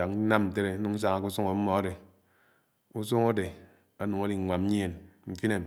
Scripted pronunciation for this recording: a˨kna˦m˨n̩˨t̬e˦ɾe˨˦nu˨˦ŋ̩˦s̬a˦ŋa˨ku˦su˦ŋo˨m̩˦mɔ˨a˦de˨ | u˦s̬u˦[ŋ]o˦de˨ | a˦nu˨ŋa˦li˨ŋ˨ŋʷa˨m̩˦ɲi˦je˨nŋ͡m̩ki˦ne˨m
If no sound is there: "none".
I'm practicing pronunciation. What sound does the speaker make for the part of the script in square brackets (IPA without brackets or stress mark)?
ŋ